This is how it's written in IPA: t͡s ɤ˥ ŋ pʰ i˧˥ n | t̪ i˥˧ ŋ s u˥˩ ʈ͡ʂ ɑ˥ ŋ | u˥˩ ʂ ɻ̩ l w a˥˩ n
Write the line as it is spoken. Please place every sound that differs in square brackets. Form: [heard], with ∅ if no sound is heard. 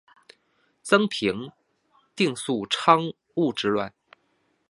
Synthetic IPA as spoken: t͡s ɤ˥ ŋ pʰ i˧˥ [ŋ] | t̪ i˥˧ ŋ s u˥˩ [ʈ͡ʂʰ] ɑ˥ ŋ | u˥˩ [ʈ͡ʂ] ɻ̩ l w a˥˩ n